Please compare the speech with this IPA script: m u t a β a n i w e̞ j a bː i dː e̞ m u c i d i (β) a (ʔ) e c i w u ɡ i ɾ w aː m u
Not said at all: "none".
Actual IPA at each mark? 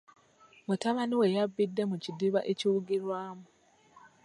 β, ʔ

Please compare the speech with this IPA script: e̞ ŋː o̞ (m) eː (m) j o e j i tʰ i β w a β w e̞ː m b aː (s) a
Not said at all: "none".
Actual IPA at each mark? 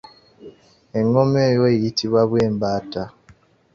m, none, t

